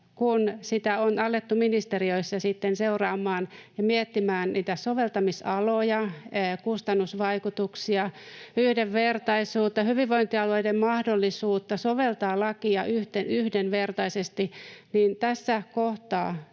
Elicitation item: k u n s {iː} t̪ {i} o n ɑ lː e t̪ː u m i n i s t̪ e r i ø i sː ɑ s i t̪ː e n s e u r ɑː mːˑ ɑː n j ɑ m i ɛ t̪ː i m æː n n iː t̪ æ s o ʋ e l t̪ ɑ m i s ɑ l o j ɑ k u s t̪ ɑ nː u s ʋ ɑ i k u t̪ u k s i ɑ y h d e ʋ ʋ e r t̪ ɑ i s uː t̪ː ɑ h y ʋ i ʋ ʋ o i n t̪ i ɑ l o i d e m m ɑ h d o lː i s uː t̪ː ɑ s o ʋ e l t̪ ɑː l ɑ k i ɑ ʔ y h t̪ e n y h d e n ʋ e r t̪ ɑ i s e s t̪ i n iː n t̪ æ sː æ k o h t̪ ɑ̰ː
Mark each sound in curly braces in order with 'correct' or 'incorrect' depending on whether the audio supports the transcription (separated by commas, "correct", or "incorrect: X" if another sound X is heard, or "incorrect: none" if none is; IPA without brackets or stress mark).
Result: incorrect: i, incorrect: æ